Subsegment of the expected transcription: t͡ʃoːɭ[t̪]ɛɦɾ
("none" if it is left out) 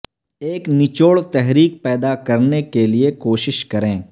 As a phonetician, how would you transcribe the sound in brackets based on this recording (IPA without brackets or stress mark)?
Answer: t̪